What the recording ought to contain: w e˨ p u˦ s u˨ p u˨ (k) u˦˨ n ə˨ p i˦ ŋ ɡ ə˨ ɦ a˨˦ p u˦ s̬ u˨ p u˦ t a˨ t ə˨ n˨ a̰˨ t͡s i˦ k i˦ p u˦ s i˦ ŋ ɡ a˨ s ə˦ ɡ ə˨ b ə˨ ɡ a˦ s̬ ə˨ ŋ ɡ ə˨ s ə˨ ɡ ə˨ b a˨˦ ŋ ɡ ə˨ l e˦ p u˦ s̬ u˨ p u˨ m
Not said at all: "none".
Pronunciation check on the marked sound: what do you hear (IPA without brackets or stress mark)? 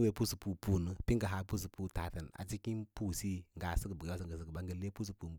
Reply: p